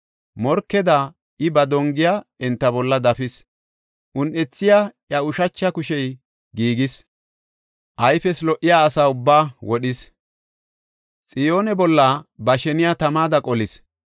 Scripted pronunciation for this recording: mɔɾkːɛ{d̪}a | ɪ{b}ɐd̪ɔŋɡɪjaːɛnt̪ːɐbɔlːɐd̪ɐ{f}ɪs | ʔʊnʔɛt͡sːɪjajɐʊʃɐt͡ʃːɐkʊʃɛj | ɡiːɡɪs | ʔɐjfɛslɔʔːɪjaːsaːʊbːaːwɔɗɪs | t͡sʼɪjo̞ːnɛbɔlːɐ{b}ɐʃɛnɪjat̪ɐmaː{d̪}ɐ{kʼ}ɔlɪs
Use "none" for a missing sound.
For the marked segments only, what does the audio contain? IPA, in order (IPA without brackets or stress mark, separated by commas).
d̪, b, f, b, d̪, kʼ